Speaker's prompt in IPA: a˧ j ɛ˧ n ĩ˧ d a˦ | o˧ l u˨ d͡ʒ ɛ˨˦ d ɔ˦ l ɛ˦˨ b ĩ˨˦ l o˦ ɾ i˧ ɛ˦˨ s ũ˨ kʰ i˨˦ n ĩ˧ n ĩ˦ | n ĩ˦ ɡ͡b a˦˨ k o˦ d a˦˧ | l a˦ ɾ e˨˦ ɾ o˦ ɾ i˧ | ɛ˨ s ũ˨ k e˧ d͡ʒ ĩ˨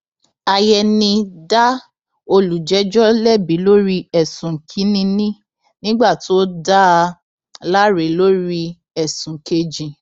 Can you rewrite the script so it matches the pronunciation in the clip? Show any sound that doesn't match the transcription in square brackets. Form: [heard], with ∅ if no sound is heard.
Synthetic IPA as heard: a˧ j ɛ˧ n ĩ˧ d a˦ | o˧ l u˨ d͡ʒ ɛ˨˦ [d͡ʒ] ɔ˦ l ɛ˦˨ b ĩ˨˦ l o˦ ɾ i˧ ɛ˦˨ s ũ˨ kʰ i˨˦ n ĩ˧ n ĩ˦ | n ĩ˦ ɡ͡b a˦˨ [t] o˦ d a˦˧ | l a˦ ɾ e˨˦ [l] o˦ ɾ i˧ | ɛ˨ s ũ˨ k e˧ d͡ʒ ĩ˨